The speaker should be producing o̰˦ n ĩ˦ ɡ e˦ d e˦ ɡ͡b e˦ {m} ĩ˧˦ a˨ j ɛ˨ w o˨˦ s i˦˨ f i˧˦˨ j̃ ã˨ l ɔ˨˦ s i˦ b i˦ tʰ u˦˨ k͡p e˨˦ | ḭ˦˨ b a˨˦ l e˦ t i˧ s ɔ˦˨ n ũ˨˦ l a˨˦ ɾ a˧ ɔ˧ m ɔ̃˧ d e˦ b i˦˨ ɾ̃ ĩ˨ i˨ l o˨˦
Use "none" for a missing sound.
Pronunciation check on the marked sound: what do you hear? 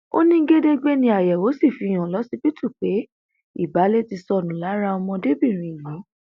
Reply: n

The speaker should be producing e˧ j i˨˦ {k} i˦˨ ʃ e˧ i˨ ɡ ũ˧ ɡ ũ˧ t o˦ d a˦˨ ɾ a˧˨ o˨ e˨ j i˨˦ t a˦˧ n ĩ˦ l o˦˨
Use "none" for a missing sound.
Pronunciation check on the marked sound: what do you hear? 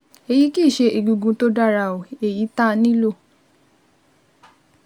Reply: k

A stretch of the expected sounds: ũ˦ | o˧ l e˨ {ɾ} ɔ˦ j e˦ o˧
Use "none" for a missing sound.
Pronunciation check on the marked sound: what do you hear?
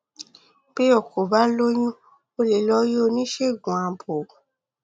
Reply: l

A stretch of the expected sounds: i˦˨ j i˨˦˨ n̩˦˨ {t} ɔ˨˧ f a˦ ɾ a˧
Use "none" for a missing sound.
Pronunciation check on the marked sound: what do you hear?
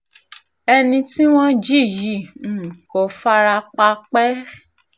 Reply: k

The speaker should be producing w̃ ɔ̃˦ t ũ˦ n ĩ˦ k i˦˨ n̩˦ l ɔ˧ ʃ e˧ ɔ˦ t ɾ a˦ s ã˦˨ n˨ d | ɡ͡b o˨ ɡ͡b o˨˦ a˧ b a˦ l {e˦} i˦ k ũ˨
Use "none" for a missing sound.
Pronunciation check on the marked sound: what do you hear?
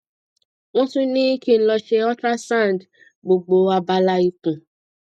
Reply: a˦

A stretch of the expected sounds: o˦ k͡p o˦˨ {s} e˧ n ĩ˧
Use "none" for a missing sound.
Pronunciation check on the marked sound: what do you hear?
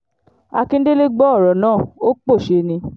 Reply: ʃ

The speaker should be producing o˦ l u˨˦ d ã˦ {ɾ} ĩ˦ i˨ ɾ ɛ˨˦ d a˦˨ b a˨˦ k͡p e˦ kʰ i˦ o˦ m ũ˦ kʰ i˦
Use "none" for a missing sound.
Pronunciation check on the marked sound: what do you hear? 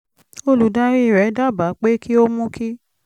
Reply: ɾ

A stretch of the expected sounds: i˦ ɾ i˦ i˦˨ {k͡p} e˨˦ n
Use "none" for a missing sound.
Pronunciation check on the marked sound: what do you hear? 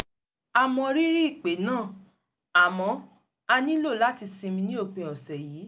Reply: k͡p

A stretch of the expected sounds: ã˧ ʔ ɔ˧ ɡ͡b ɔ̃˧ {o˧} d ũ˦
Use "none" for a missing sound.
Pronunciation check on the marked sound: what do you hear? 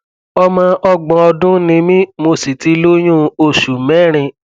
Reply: ɔ˧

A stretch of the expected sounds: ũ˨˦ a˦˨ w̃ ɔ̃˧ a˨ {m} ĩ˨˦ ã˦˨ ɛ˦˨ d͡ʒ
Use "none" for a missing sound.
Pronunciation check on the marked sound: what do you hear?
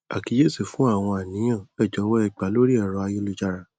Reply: n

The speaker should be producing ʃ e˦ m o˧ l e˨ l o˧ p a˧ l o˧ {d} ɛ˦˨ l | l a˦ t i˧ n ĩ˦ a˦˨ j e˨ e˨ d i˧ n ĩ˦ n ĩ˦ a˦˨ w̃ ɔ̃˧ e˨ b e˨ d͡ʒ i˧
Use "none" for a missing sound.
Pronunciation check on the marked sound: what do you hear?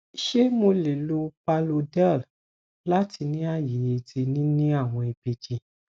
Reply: d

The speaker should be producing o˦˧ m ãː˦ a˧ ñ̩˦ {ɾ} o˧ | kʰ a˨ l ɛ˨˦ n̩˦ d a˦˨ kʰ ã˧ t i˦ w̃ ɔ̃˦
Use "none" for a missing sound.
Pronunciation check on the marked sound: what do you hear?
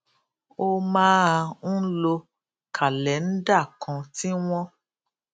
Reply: l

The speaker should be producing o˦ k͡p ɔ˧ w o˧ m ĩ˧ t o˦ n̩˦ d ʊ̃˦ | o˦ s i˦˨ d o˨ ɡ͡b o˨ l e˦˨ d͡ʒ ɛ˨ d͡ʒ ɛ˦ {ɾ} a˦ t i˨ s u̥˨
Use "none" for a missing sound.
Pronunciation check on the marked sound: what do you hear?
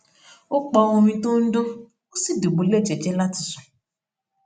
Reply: l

